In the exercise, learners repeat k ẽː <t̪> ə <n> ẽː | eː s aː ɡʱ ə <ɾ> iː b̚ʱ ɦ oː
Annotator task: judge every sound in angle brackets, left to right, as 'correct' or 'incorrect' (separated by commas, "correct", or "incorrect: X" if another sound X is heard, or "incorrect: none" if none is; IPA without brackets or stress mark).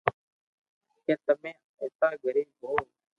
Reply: correct, incorrect: m, correct